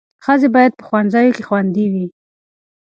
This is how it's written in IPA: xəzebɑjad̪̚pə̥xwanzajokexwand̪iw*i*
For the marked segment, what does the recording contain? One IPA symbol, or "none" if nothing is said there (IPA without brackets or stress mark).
i